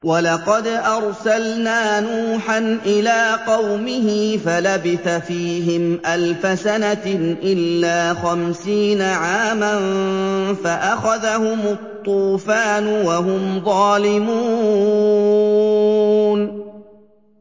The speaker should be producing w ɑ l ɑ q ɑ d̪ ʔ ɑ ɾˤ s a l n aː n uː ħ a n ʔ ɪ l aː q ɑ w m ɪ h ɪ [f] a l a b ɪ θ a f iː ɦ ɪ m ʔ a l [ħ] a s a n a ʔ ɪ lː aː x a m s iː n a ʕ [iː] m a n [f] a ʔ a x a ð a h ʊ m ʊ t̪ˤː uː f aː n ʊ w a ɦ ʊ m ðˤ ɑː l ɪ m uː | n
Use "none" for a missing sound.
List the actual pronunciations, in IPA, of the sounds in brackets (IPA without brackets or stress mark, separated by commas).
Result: f, f, aː, f